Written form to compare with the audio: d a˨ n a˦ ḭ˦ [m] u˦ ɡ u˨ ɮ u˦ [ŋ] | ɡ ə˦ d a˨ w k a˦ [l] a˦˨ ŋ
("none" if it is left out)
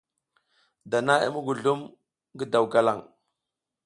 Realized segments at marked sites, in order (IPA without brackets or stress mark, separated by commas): m, m, l